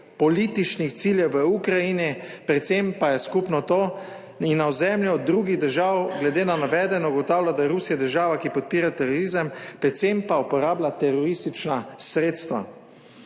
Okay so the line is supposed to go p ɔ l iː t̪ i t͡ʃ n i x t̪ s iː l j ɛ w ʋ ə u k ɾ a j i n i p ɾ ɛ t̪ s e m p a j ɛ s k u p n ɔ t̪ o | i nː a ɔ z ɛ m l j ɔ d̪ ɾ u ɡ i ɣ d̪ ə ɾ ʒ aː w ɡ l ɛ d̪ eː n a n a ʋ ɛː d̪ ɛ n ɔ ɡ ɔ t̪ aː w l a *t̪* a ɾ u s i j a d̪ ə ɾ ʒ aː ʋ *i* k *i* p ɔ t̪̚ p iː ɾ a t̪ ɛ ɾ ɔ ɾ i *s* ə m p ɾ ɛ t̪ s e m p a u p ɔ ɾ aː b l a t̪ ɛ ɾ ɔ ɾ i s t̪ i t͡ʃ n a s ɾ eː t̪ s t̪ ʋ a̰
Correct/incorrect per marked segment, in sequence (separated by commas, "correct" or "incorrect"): incorrect, incorrect, correct, incorrect